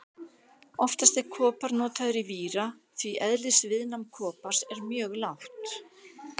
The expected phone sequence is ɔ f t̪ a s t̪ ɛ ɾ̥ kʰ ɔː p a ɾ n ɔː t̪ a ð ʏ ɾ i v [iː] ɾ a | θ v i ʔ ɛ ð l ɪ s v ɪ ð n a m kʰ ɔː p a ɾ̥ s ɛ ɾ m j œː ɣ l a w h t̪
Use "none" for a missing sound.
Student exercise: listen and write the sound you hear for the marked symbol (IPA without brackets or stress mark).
iː